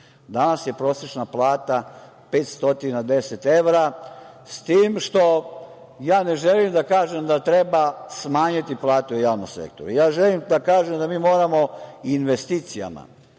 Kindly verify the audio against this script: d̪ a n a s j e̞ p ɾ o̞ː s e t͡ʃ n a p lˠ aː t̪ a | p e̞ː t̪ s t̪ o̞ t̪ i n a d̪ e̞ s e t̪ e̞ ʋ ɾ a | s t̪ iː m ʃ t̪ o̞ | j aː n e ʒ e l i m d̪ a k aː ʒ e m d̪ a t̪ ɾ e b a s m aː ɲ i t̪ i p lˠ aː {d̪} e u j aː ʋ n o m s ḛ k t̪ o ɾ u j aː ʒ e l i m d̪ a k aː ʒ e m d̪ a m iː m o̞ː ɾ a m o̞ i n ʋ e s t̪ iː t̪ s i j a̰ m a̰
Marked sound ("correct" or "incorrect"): incorrect